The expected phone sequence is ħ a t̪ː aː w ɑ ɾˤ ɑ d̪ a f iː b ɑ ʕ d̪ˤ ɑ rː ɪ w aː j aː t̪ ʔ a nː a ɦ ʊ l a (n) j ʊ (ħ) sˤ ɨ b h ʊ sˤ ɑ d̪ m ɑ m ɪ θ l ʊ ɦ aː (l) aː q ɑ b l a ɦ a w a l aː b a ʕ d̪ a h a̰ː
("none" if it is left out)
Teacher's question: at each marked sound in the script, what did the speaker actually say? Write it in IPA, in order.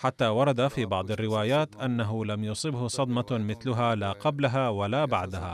m, none, l

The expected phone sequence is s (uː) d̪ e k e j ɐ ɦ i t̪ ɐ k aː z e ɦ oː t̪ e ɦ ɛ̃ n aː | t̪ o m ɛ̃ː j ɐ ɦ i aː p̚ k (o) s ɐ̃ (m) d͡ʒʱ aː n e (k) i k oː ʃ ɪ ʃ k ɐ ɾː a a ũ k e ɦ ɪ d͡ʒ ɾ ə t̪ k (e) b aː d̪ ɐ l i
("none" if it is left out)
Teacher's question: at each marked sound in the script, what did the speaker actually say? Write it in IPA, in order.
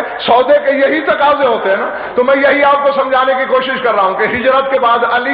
ɔː, o, m, k, e

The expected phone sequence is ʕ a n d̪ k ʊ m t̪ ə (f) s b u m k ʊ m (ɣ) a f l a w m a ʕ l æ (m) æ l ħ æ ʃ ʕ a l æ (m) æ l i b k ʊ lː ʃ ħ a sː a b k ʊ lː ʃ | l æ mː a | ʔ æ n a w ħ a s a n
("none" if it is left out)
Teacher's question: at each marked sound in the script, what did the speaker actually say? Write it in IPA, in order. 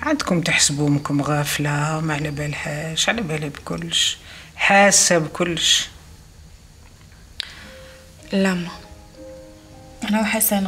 ħ, ɣ, b, b

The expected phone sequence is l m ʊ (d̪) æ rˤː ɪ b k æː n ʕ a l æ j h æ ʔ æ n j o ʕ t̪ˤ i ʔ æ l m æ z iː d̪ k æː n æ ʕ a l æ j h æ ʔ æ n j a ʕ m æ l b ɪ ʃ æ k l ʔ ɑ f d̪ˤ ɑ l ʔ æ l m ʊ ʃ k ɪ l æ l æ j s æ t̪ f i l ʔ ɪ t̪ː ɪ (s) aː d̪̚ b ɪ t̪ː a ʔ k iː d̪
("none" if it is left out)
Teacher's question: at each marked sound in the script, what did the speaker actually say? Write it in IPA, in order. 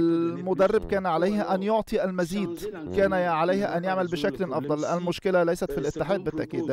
d̪, ħ

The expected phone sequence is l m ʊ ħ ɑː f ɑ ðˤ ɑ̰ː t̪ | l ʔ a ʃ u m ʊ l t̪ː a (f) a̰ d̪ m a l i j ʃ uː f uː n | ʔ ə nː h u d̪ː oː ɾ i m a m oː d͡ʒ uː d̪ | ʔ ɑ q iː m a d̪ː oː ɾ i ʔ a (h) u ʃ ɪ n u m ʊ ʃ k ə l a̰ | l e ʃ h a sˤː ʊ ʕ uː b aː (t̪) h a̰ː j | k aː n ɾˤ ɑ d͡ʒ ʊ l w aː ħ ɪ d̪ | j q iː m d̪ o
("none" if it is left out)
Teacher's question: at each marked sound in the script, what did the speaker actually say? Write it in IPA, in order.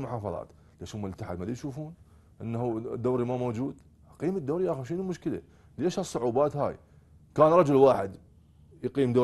ħ, x, t̪

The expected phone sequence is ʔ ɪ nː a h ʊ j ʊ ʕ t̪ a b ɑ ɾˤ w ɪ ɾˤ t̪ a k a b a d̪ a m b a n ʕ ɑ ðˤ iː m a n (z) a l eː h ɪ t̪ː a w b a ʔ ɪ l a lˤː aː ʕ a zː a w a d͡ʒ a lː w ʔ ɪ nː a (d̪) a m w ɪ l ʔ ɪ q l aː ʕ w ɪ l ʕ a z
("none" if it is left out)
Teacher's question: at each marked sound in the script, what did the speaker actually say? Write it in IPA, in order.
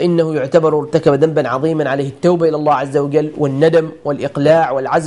ʕ, d̪

